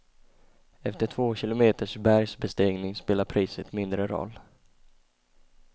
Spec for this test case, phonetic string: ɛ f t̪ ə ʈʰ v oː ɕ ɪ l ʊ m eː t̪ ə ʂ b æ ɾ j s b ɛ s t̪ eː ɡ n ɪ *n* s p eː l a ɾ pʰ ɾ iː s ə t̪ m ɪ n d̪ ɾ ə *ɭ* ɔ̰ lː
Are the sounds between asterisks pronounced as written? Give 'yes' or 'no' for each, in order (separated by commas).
no, no